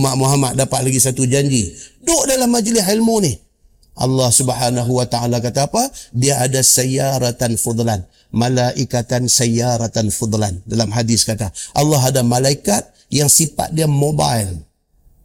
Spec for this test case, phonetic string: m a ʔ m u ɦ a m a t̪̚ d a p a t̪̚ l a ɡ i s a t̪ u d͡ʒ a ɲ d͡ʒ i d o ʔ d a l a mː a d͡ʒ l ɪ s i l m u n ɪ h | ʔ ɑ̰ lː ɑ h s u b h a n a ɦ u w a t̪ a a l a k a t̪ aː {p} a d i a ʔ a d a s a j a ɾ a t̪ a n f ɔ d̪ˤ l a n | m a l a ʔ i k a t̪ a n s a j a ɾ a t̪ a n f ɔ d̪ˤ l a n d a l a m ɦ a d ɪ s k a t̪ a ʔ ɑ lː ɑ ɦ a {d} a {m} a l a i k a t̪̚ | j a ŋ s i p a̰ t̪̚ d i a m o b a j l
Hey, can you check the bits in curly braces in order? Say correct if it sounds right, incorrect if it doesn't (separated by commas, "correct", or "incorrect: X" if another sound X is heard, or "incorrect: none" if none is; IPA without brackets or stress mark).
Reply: correct, correct, correct